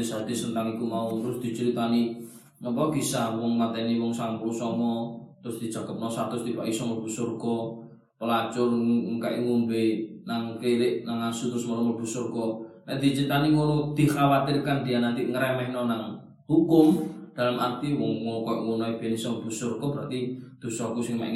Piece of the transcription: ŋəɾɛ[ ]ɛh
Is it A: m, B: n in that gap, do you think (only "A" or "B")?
A